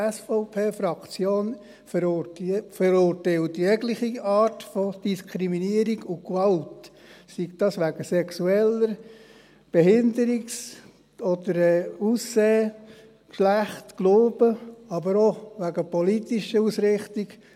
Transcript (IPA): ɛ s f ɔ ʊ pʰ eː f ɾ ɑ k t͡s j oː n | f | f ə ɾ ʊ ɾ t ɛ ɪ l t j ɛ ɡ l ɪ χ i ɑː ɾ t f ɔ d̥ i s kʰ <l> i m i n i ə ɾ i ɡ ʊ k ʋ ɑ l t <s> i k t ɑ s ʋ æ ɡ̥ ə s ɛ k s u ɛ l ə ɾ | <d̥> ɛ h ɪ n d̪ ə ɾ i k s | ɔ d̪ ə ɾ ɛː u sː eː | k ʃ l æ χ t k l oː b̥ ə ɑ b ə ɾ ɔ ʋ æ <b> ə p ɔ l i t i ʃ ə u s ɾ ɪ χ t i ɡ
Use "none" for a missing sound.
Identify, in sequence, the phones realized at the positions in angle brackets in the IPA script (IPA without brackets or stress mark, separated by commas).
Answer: ɾ, s, b̥, ɡ